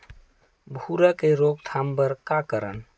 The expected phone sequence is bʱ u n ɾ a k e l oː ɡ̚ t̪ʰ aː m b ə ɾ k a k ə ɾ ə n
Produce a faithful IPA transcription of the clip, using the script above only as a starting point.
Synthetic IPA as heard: bʱ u ɾ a k e ɾ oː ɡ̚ t̪ʰ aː m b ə ɾ k a k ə ɾ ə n